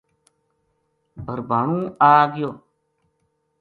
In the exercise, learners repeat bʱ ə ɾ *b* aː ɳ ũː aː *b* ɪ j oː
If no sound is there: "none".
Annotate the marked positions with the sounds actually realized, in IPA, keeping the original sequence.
b, ɡ

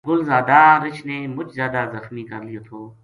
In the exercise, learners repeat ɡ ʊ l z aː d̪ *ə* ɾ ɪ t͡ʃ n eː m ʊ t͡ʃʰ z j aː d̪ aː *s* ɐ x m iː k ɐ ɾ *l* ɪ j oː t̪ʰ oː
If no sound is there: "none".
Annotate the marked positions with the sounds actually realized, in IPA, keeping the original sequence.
a, z, l

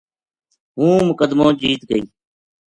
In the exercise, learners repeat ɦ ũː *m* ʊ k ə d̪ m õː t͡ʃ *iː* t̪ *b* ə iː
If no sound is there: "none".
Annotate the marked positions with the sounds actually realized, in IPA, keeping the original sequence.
m, iː, ɡ

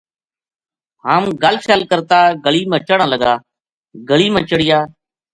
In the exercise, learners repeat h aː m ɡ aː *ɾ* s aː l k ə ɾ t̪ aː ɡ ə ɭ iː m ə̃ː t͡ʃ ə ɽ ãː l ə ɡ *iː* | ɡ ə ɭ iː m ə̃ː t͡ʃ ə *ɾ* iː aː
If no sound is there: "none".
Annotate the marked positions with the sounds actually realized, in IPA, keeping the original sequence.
l, aː, ɽ

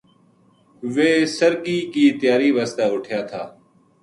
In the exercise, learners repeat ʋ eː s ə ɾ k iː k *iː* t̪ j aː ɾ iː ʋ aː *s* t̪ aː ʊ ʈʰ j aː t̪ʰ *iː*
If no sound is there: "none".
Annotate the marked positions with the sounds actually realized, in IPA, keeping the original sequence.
iː, s, aː

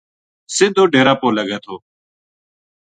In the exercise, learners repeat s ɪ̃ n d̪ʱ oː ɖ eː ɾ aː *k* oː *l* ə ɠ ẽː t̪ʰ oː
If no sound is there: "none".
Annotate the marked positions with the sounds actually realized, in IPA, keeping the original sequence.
p, l

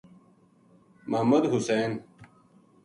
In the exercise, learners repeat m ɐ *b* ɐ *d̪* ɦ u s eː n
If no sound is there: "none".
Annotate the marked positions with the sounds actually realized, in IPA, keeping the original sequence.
m, d̪

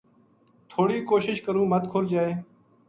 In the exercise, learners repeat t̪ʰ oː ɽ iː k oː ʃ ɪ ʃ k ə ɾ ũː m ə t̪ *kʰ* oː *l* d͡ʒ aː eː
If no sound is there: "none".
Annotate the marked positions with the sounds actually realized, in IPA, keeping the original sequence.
kʰ, l

